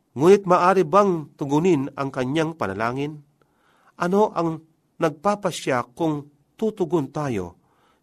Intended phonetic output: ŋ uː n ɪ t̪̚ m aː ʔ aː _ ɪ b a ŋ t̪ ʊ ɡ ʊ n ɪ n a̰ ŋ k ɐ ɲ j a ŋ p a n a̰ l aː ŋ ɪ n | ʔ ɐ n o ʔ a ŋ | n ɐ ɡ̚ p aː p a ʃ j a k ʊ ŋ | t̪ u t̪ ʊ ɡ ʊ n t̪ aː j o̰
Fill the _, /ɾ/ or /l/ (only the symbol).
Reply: ɾ